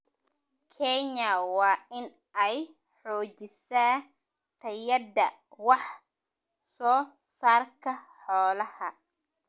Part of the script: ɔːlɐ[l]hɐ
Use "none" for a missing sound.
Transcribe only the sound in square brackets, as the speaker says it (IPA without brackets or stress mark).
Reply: none